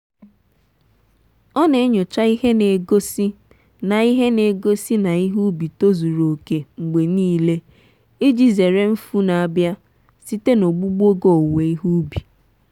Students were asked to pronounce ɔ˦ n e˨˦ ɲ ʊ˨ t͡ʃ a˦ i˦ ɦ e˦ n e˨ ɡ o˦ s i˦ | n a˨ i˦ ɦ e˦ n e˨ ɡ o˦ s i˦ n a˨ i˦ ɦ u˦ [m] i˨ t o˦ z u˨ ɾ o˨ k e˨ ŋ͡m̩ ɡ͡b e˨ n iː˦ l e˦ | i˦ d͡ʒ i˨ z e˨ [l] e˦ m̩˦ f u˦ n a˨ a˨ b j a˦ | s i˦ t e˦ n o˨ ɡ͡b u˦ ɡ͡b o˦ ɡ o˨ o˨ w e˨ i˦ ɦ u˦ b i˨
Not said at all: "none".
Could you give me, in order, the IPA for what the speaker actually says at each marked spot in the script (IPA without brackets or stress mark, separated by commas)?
b, ɾ